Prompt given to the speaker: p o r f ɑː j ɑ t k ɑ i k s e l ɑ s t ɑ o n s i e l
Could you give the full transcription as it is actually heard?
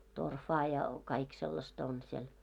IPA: t o r f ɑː j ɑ k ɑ i k s e lː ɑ s t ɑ o n s i e l